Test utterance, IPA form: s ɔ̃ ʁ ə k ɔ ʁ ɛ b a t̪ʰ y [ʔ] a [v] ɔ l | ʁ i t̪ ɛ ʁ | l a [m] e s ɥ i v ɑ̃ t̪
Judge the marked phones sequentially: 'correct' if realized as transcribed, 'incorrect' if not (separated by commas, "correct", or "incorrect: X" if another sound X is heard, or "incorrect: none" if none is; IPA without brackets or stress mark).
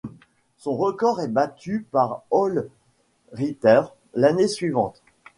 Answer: incorrect: p, incorrect: ʁ, incorrect: n